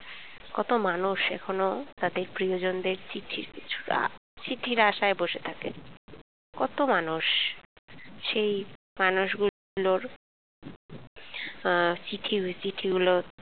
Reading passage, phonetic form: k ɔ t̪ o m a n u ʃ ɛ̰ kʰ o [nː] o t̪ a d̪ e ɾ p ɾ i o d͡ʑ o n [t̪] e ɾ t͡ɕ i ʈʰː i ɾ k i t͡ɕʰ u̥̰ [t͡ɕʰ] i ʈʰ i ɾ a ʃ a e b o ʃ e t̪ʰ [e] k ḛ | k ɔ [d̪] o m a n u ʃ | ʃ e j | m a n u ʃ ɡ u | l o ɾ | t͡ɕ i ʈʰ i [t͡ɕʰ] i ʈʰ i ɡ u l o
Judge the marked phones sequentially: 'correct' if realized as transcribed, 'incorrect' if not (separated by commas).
incorrect, incorrect, incorrect, incorrect, incorrect, incorrect